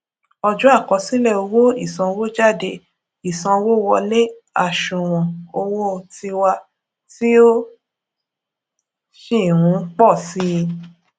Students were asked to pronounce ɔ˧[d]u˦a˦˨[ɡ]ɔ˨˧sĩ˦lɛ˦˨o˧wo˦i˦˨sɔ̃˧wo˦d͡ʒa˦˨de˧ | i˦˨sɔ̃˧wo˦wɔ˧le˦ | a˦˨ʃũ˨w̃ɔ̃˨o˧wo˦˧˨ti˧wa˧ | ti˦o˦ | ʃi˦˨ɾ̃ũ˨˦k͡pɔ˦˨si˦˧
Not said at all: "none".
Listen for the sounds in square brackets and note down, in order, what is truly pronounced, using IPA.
d͡ʒ, k

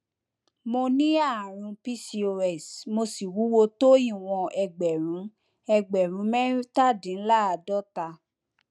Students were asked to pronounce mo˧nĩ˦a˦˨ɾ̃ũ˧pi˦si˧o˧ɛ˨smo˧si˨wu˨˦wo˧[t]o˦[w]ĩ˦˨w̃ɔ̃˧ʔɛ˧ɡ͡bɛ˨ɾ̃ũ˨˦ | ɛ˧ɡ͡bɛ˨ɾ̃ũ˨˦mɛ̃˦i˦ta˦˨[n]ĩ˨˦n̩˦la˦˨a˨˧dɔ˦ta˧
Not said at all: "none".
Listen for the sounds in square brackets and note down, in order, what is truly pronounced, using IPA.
t, none, d

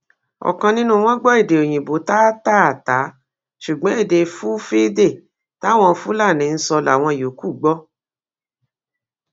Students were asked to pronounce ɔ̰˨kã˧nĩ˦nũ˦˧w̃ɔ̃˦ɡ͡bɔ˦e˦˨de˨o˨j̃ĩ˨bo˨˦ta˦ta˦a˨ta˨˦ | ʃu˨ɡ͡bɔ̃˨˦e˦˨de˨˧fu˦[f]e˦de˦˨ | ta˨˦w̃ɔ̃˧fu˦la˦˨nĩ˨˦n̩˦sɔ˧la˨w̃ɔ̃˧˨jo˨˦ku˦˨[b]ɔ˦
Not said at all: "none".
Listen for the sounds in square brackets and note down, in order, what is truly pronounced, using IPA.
f, ɡ͡b

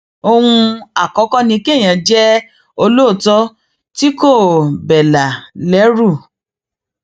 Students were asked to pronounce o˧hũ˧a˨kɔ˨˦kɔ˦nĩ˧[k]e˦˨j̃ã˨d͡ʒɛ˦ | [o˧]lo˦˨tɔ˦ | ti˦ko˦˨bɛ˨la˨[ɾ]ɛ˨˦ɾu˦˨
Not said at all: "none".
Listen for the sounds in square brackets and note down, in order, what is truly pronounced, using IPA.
k, o˧, l

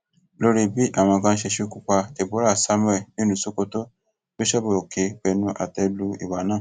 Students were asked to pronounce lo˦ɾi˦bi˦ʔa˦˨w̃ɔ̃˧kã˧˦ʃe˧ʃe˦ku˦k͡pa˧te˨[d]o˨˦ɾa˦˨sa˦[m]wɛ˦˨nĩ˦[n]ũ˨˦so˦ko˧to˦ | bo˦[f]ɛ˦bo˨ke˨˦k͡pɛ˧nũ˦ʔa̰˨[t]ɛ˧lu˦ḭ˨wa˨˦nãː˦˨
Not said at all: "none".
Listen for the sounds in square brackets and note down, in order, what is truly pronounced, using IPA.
b, m, n, ʃ, t

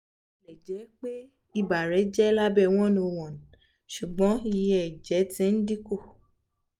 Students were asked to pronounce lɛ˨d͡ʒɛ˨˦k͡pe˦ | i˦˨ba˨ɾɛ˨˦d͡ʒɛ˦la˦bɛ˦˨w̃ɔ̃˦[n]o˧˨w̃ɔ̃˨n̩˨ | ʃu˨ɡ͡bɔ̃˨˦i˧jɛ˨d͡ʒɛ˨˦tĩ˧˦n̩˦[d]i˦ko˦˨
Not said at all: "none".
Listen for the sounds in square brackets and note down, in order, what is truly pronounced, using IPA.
n, d

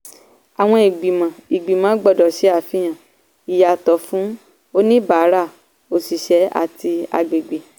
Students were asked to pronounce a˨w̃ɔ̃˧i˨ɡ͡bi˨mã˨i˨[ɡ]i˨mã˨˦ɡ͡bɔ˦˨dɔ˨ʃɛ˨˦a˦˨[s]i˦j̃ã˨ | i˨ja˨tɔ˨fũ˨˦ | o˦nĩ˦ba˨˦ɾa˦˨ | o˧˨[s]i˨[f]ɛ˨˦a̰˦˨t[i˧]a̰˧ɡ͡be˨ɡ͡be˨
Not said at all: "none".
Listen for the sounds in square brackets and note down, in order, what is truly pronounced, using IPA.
ɡ͡b, f, s, ʃ, i˧

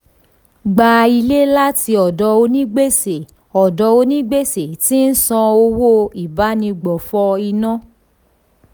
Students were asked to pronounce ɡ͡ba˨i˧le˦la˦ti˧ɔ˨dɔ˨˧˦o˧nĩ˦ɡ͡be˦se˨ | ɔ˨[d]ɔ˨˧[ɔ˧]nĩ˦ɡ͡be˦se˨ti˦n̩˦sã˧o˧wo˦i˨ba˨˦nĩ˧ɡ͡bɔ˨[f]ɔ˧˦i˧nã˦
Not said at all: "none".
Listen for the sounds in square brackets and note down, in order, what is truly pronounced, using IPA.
d, o˧, f

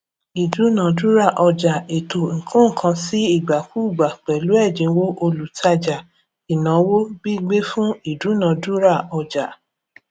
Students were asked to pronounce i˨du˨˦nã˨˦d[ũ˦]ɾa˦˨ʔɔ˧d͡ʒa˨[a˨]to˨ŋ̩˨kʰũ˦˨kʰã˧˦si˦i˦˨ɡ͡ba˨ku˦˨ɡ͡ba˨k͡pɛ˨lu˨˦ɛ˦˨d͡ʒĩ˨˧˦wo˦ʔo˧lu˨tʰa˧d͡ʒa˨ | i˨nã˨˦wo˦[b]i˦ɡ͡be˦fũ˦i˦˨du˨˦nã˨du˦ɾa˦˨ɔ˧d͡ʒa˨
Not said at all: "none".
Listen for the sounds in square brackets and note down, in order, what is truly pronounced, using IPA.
u˦, e˨, b

